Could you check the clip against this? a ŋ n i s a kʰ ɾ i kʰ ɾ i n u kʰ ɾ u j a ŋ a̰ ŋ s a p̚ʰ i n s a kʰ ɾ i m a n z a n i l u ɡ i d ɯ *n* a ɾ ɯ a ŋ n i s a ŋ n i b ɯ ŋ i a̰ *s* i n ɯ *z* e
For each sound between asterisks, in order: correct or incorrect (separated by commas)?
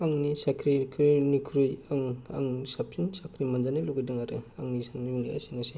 incorrect, correct, incorrect